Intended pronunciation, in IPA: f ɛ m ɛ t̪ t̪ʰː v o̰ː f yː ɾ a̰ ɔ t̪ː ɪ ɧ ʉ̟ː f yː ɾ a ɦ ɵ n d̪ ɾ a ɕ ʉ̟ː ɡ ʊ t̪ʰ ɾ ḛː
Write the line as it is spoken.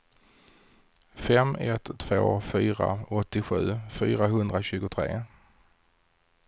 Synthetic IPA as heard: f ɛ m ɛ t̪ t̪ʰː v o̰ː f yː ɾ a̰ ɔ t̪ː ɪ ɧ ʉ̟ː f yː ɾ a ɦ ɵ n d̪ ɾ a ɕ ʉ̟ː ɡ ʊ t̪ʰ ɾ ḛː